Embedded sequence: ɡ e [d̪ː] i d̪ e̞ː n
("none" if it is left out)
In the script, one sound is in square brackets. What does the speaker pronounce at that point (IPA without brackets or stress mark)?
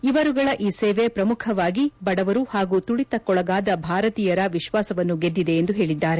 d̪ː